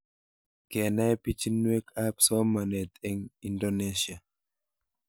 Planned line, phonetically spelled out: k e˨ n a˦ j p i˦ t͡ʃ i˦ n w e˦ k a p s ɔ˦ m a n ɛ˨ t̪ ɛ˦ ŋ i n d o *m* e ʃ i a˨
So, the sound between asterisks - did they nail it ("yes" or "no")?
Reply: no